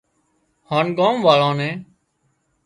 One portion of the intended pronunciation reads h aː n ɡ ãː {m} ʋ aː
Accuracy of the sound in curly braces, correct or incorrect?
correct